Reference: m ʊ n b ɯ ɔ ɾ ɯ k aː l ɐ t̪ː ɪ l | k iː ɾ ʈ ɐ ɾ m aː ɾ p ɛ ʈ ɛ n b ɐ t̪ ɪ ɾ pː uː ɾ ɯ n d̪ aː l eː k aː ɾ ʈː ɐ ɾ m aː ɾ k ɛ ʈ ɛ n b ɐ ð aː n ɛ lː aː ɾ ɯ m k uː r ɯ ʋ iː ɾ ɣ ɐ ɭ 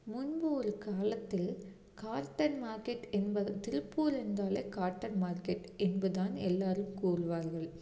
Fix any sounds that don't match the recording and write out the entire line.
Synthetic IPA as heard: m ʊ n b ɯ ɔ ɾ ɯ k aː l ɐ t̪ː ɪ l | k aː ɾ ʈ ɐ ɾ m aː ɾ k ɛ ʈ ɛ n b ɐ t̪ ɪ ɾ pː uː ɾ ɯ n d̪ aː l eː k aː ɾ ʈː ɐ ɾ m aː ɾ k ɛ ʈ ɛ n b ɐ ð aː n ɛ lː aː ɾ ɯ m k uː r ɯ ʋ aː ɾ ɣ ɐ ɭ

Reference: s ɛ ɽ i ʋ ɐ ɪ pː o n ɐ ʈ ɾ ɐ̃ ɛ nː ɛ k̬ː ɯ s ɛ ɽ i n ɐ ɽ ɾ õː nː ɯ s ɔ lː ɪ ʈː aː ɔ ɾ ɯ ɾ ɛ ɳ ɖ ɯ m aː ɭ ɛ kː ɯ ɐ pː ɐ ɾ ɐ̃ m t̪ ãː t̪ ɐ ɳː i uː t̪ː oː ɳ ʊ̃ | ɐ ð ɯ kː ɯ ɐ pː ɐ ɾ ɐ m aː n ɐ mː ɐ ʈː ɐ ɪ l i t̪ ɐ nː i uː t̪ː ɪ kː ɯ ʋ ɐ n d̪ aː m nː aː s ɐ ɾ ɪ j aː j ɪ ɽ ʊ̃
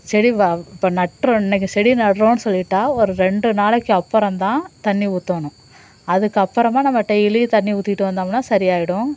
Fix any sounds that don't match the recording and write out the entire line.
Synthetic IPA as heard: s ɛ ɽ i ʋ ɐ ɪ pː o n ɐ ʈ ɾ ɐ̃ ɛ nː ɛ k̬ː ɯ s ɛ ɽ i n ɐ ɽ ɾ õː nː ɯ s ɔ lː ɪ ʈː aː ɔ ɾ ɯ ɾ ɛ ɳ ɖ ɯ n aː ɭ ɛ kː ɯ ɐ pː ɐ ɾ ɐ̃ m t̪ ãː t̪ ɐ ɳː i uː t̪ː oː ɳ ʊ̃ | ɐ ð ɯ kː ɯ ɐ pː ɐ ɾ ɐ m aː n ɐ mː ɐ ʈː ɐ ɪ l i t̪ ɐ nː i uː t̪ː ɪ ʈː ɯ ʋ ɐ n d̪ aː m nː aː s ɐ ɾ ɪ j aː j ɪ ɽ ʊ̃

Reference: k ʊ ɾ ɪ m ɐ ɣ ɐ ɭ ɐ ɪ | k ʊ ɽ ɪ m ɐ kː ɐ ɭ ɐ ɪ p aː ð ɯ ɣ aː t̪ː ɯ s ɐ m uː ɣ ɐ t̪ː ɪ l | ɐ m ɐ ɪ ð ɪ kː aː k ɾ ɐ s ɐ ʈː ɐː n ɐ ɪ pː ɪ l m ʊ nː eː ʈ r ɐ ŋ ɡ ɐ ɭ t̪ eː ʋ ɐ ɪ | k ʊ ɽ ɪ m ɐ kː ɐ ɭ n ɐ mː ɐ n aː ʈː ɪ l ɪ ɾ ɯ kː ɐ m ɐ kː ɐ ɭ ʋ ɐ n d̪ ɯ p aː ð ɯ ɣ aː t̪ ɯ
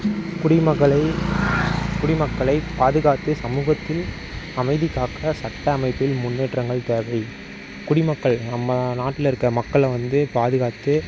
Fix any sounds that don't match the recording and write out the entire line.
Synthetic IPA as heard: k ʊ ɽ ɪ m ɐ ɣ ɐ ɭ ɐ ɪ | k ʊ ɽ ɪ m ɐ kː ɐ ɭ ɐ ɪ p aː ð ɯ ɣ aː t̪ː ɯ s ɐ m uː ɣ ɐ t̪ː ɪ l | ɐ m ɐ ɪ ð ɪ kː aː k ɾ ɐ s ɐ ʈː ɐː m ɐ ɪ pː ɪ l m ʊ nː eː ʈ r ɐ ŋ ɡ ɐ ɭ t̪ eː ʋ ɐ ɪ | k ʊ ɽ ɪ m ɐ kː ɐ ɭ n ɐ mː ɐ n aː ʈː ɪ l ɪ ɾ ɯ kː ɐ m ɐ kː ɐ ɭ ʋ ɐ n d̪ ɯ p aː ð ɯ ɣ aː t̪ ɯ

